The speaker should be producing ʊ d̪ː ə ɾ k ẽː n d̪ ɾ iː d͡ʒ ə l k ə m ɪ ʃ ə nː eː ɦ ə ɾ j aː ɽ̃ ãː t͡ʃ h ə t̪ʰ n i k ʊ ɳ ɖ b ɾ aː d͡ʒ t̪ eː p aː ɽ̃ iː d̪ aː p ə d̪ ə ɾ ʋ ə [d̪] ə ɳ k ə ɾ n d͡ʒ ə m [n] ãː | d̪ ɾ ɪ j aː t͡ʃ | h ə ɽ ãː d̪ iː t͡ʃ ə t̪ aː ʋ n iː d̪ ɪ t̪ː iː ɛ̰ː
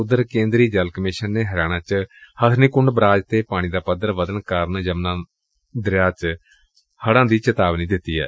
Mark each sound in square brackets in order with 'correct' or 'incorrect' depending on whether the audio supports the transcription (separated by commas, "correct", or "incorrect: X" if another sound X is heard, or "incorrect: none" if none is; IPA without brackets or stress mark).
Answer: correct, correct